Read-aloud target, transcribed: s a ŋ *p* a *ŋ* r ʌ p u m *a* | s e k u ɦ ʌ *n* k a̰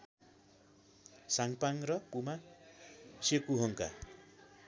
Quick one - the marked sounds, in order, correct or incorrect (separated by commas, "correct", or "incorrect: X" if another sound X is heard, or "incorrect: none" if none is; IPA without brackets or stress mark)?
correct, correct, correct, incorrect: ŋ